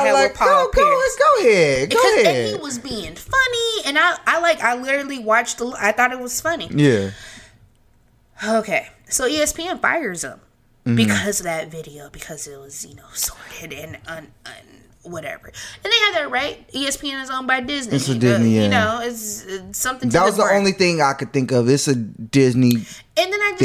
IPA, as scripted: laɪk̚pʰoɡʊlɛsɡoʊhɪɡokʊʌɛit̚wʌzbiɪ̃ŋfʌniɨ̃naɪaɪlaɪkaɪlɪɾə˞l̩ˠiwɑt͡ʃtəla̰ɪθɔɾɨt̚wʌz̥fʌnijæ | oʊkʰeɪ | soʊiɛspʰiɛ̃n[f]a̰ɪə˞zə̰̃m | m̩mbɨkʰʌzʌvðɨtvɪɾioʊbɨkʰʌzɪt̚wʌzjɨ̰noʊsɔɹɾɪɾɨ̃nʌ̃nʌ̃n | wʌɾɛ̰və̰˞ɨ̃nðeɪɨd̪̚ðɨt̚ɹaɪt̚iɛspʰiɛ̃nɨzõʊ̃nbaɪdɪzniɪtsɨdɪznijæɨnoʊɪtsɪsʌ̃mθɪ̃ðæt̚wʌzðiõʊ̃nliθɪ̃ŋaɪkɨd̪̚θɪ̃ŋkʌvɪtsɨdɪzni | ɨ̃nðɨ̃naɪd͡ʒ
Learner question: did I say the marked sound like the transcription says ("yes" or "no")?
yes